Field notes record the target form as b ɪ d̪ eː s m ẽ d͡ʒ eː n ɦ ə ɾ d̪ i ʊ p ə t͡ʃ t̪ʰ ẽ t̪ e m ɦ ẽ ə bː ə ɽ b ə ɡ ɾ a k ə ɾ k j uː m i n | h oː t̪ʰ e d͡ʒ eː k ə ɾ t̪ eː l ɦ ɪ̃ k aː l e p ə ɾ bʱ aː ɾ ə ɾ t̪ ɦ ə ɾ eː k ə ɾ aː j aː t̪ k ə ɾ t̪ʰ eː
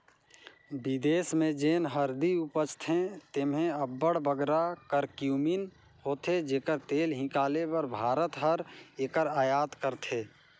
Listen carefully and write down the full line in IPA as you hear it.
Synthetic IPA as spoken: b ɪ d̪ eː s m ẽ d͡ʒ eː n ɦ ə ɾ d̪ i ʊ p ə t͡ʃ t̪ʰ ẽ t̪ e m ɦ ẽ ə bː ə ɽ b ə ɡ ɾ a k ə ɾ k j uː m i n | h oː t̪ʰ e d͡ʒ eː k ə ɾ t̪ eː l ɦ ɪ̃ k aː l e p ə ɾ bʱ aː ɾ ə t̪ ɦ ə ɾ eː k ə ɾ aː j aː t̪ k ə ɾ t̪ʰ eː